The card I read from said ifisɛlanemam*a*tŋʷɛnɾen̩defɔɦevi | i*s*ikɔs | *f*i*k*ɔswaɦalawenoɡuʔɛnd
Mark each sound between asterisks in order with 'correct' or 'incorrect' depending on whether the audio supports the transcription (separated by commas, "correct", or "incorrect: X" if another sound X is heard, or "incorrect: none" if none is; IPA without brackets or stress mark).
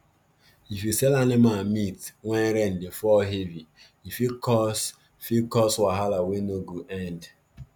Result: incorrect: i, incorrect: f, correct, correct